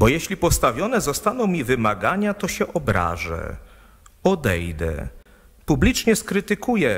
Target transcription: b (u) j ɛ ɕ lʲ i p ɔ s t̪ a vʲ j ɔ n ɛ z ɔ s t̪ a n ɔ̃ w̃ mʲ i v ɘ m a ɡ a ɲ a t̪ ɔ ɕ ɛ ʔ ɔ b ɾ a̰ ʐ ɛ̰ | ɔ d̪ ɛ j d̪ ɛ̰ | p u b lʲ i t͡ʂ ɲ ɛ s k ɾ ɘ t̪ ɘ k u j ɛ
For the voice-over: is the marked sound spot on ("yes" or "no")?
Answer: no